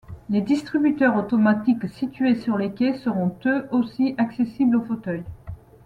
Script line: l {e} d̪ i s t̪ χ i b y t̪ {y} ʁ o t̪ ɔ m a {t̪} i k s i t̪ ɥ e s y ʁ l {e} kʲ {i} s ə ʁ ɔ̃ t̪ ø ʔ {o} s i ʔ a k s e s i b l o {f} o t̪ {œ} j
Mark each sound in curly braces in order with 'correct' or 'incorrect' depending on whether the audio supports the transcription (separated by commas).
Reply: correct, incorrect, correct, correct, incorrect, correct, correct, correct